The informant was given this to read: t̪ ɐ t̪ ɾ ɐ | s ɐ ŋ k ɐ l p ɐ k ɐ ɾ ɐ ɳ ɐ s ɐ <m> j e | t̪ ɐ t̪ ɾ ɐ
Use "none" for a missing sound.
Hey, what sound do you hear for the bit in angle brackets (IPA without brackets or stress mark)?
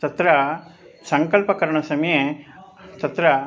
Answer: m